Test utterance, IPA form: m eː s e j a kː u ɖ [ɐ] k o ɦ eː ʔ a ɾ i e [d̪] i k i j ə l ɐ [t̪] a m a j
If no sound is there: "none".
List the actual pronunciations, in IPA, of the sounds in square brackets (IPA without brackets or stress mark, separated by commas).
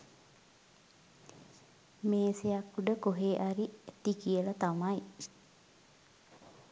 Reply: ə, t̪, t̪